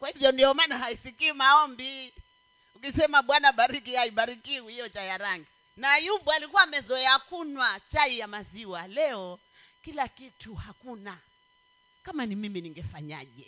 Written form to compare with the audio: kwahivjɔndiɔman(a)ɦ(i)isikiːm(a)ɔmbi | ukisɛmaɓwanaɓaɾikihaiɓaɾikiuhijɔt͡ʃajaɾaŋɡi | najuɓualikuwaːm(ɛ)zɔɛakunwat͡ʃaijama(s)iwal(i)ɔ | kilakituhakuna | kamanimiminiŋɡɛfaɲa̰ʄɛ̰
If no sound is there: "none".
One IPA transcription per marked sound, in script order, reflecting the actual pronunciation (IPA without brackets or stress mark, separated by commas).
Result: a, a, a, ɛ, z, ɛ